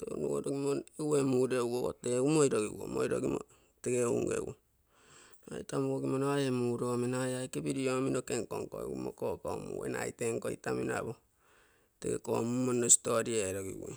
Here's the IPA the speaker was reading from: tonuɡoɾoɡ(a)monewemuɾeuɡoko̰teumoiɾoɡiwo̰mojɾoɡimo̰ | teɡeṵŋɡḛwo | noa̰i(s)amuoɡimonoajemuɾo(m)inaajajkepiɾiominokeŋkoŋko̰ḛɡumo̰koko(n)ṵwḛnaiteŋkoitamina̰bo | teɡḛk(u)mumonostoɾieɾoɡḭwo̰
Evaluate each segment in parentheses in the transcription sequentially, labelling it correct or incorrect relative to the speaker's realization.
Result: incorrect, incorrect, correct, incorrect, incorrect

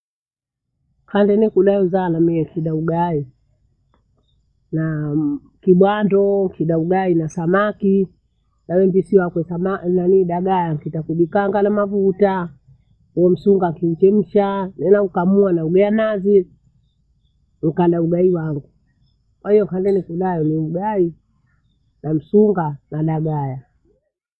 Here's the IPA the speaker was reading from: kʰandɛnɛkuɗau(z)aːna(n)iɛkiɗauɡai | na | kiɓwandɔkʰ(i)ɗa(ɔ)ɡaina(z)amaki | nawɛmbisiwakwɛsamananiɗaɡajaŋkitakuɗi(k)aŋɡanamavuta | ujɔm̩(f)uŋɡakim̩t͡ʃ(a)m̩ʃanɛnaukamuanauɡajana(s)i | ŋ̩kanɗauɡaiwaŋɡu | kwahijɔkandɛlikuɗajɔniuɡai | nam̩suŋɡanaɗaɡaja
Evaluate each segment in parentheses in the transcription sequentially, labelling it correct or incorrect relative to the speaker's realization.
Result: correct, incorrect, correct, incorrect, incorrect, correct, incorrect, incorrect, incorrect

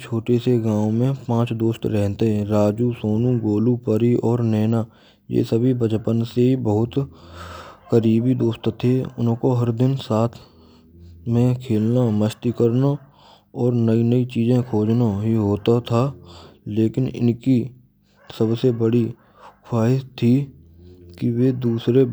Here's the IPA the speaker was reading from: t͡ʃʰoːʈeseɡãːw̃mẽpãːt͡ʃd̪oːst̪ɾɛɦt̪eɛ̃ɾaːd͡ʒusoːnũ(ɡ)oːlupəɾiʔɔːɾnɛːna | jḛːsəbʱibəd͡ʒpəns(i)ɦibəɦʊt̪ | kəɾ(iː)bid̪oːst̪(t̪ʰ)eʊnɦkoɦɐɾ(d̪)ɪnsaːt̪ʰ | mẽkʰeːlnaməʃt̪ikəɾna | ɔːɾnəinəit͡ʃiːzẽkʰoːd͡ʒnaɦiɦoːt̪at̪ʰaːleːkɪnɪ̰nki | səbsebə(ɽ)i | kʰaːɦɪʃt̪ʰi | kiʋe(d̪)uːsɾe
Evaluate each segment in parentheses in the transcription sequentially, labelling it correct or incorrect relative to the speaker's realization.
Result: correct, incorrect, correct, correct, correct, correct, correct

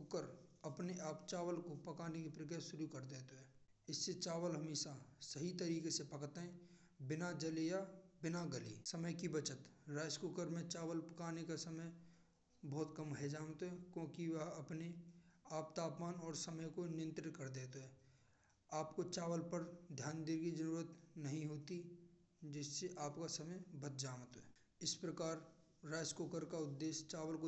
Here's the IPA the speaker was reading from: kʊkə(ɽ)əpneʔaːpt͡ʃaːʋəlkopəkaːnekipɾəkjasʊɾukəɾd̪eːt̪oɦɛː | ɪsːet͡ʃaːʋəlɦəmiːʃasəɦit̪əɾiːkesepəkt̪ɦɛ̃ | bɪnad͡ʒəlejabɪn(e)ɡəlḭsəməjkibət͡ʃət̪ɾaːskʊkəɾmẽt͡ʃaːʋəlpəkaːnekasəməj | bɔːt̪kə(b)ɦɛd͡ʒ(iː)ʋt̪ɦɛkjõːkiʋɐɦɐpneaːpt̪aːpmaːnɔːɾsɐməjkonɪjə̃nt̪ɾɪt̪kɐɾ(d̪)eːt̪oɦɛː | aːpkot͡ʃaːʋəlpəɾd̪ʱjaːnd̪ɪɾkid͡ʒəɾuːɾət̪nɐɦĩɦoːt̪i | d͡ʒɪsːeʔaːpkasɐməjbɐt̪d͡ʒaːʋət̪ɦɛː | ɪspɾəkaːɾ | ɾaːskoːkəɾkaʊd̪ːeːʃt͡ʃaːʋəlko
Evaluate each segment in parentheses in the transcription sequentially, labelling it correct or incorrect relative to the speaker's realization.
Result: incorrect, incorrect, incorrect, incorrect, correct

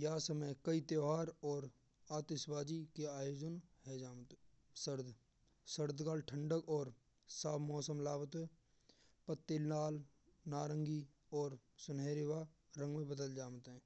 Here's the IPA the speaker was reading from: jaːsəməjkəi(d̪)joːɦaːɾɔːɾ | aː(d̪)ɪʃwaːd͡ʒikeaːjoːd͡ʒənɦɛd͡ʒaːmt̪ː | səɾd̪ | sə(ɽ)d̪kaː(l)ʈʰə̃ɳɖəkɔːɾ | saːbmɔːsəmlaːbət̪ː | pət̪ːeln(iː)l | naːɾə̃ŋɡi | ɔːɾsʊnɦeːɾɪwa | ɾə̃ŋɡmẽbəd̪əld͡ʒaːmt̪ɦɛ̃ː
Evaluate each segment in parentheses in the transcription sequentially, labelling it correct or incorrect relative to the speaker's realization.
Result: incorrect, incorrect, incorrect, correct, incorrect

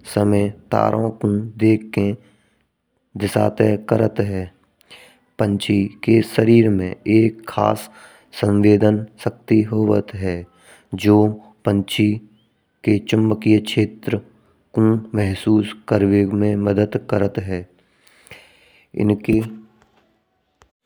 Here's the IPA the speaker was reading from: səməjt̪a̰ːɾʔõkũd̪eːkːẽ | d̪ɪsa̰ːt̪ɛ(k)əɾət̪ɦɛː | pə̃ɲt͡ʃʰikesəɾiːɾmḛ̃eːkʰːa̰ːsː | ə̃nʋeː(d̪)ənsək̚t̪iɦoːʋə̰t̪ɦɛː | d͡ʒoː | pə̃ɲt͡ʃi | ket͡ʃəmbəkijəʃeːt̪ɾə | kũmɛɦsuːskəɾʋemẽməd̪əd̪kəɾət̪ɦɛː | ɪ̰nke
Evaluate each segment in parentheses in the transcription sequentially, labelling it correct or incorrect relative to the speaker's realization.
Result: correct, correct

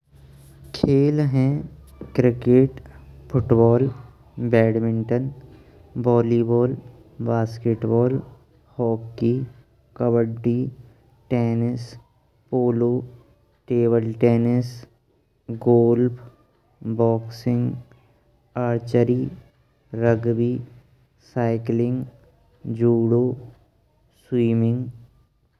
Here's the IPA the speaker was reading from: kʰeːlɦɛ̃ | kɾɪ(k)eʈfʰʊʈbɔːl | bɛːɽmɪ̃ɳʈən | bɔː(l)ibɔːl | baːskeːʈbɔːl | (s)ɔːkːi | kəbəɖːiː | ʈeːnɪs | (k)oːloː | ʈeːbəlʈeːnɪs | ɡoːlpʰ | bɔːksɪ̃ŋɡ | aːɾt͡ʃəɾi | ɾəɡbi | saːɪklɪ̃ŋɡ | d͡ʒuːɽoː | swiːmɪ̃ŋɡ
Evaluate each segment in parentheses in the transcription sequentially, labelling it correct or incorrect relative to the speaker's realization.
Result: correct, correct, incorrect, incorrect

